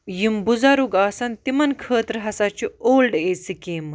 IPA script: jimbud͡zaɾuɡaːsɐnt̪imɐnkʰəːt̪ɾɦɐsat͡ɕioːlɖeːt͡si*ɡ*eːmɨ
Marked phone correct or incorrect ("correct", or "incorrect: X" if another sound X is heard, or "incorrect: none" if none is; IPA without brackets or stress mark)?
incorrect: k